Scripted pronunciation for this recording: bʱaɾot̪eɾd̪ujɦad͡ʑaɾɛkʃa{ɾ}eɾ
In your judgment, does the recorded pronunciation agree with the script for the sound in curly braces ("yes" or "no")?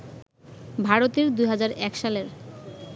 no